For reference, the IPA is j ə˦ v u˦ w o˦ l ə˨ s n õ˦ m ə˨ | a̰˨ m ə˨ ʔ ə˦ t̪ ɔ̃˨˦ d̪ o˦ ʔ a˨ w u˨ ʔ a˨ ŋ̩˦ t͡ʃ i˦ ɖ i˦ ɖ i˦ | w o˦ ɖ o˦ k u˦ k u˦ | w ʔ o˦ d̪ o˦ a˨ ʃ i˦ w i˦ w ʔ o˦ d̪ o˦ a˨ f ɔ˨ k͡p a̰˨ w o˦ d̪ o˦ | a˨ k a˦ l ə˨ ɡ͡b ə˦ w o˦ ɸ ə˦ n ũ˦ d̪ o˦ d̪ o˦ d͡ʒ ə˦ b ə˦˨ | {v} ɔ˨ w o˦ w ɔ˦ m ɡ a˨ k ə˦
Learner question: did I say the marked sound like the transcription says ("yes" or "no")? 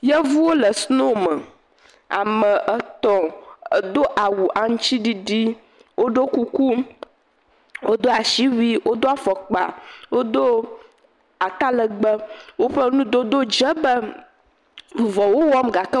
yes